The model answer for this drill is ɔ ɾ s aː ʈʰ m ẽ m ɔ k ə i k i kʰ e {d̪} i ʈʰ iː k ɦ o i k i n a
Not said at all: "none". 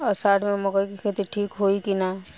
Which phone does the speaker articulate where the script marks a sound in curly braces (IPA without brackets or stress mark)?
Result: t̪